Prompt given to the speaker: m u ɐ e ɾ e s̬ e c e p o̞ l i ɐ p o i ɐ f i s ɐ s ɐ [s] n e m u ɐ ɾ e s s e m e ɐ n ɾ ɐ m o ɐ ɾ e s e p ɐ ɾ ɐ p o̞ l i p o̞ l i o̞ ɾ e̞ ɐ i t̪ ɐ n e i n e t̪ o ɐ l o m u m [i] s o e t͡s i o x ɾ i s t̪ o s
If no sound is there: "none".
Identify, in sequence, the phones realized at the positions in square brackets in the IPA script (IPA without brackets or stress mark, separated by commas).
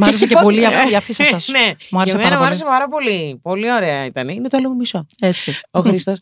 s, i